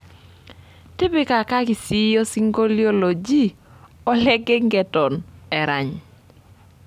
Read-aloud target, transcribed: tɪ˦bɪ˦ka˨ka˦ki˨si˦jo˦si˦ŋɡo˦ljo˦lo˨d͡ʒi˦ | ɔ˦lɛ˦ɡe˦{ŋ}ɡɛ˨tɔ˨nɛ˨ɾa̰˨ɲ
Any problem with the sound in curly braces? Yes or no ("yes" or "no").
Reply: no